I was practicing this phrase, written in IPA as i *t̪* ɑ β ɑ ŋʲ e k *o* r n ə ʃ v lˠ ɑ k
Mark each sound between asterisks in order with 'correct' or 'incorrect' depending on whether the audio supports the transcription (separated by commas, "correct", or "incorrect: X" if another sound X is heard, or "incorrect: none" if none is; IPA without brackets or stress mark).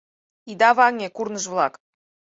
incorrect: d̪, incorrect: u